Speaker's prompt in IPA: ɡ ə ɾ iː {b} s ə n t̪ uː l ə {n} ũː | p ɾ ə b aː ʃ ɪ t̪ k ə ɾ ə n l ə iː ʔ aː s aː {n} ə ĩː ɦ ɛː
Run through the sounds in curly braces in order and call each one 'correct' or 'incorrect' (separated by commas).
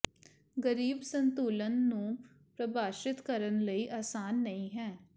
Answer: correct, incorrect, incorrect